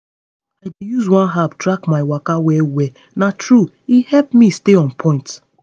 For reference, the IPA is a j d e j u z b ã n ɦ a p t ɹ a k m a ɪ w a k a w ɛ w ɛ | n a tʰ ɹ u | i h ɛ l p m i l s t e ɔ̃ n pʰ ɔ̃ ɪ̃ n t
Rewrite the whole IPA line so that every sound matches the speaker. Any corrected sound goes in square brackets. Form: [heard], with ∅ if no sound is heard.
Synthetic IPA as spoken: a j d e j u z [w] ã n ɦ a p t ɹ a k m a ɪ w a k a w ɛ w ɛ | n a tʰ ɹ u | i h ɛ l p m i [∅] s t e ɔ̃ n pʰ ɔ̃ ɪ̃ n t